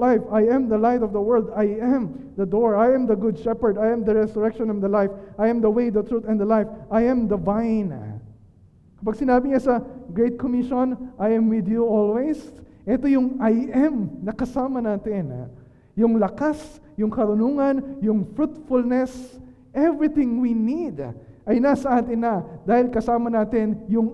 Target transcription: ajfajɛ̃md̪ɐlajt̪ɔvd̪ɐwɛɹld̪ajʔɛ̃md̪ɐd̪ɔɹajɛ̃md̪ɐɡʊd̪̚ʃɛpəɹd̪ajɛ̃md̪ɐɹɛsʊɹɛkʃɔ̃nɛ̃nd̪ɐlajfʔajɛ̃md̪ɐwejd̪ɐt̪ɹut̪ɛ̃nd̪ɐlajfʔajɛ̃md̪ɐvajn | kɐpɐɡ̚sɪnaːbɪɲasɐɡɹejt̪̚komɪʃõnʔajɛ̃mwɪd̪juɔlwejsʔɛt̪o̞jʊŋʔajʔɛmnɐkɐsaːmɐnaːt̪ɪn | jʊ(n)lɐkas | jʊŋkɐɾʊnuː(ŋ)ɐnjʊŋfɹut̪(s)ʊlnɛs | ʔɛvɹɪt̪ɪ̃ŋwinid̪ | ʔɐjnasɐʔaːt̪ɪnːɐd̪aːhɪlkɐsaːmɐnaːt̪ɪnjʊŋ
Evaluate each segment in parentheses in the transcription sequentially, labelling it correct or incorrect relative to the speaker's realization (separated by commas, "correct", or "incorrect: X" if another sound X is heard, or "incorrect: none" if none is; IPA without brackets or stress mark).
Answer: incorrect: ŋ, correct, incorrect: f